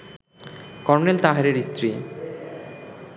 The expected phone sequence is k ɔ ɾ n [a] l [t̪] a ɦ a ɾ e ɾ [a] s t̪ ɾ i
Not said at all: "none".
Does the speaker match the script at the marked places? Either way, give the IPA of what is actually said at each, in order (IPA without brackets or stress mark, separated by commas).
e, t̪, i